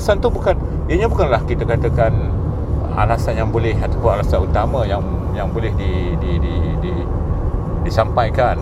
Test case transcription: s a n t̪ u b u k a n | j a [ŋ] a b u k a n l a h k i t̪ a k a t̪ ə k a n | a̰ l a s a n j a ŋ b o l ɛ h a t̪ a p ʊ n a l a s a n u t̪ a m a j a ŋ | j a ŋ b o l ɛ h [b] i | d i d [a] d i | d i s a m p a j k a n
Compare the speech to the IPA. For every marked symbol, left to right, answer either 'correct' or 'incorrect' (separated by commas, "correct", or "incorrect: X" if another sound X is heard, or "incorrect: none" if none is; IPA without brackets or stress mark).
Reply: incorrect: ɲ, incorrect: d, incorrect: i